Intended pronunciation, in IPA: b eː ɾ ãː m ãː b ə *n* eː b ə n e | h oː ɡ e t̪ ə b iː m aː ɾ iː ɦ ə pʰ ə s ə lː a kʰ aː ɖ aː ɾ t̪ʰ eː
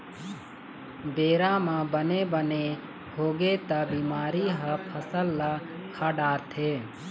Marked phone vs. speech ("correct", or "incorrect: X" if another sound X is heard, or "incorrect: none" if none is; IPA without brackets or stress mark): correct